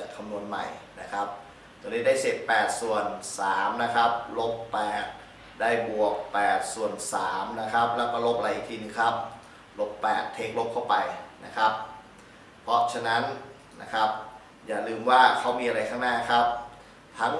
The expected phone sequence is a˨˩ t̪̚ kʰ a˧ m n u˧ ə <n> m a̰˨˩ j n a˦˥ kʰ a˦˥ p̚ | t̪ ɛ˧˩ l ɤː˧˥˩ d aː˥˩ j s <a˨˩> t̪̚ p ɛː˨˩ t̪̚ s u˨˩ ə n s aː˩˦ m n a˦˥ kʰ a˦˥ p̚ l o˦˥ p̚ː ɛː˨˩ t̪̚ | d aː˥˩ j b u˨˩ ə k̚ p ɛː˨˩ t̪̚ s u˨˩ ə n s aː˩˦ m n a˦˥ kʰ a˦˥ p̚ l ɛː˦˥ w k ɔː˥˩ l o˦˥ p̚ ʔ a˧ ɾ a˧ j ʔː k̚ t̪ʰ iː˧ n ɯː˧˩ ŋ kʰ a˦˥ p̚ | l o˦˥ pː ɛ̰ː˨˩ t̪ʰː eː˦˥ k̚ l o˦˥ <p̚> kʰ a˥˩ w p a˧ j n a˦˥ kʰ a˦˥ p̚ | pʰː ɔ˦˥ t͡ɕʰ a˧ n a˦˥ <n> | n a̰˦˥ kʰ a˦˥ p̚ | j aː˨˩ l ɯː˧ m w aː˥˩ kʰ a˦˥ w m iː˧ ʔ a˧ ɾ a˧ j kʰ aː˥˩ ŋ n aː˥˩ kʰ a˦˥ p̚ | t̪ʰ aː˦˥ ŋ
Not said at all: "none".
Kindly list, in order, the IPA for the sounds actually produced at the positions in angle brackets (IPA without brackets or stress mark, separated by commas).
n, e˨˩, p̚, n